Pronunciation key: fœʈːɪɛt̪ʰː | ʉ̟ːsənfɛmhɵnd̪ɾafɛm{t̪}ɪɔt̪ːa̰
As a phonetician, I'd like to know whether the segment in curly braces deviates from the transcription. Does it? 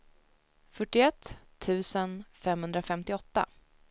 no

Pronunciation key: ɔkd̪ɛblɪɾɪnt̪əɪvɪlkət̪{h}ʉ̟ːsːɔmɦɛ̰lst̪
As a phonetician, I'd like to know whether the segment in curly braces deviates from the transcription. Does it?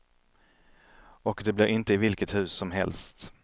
no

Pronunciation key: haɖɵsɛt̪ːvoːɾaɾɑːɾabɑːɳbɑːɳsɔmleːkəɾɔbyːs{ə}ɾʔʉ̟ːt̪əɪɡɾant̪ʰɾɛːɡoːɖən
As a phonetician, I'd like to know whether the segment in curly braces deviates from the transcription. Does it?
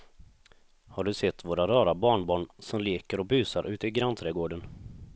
yes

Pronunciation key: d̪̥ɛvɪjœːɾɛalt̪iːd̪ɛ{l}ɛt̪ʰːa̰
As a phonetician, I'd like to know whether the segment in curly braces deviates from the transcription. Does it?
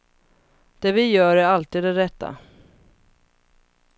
yes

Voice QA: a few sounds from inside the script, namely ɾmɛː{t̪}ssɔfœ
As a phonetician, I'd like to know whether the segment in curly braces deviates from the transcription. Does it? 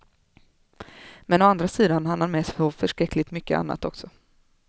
yes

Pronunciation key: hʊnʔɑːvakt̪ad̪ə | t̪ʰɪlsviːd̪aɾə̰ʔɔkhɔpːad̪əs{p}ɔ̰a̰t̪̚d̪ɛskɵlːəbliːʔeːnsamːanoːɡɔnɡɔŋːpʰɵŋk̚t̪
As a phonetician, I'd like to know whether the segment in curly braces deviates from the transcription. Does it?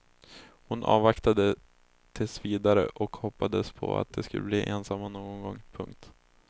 yes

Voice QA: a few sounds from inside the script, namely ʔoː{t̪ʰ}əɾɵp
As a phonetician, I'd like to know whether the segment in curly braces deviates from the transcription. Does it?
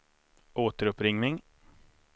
yes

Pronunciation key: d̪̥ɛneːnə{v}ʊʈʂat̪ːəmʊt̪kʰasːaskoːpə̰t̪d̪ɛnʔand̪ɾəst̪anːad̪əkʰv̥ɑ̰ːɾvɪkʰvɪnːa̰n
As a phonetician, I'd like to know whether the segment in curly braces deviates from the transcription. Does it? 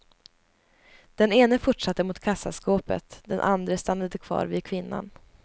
yes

